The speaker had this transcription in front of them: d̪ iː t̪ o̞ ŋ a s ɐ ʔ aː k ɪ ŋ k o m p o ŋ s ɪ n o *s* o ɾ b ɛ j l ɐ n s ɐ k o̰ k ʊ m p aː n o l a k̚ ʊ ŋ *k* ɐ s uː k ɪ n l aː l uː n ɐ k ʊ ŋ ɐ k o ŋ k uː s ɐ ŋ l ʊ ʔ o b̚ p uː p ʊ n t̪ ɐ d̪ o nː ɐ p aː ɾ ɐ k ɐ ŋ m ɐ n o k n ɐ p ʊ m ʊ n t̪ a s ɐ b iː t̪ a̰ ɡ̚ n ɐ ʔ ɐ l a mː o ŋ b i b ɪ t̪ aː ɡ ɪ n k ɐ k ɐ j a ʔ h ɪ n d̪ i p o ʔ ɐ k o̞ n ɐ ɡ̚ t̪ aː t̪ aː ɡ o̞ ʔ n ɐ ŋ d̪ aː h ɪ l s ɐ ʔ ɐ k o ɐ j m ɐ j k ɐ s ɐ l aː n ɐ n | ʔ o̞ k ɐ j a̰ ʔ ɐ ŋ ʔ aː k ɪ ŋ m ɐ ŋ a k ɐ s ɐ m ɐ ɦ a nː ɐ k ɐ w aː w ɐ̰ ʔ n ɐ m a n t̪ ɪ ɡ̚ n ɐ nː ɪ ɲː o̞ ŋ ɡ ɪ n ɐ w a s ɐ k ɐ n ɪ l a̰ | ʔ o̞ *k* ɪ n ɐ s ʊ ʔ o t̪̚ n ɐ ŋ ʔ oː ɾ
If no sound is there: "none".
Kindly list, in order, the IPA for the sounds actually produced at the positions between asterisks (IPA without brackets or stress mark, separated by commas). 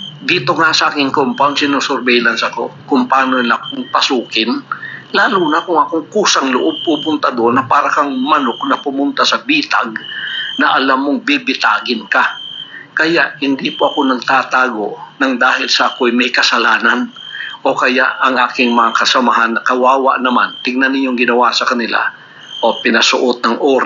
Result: s, p, p